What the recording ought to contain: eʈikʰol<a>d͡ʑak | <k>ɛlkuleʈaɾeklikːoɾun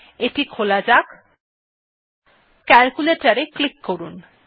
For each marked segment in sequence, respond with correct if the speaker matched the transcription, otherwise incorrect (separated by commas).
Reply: correct, correct